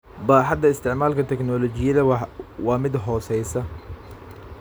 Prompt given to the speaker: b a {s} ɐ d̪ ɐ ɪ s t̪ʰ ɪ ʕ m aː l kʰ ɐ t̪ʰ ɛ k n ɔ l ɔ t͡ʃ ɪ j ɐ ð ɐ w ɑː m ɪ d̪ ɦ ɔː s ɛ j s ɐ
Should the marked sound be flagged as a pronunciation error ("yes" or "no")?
yes